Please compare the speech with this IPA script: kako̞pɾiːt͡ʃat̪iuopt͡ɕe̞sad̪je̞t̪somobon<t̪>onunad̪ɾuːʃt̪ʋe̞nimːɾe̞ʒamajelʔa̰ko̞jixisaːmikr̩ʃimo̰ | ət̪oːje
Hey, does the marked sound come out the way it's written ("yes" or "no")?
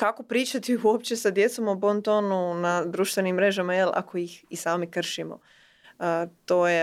yes